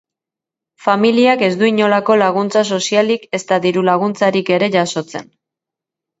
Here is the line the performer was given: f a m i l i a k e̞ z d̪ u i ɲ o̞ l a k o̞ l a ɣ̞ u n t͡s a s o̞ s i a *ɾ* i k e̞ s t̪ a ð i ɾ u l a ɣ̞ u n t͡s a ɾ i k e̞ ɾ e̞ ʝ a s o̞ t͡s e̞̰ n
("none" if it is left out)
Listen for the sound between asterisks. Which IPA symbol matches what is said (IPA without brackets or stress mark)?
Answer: l